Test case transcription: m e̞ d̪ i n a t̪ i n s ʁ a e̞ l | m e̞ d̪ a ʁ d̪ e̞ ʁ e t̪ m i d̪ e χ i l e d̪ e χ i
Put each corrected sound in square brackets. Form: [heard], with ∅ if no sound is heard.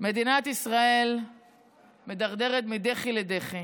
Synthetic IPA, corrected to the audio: m e̞ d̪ i n a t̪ i [∅] s ʁ a e̞ l | m e̞ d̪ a ʁ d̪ e̞ ʁ e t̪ m i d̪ e χ i l e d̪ e χ i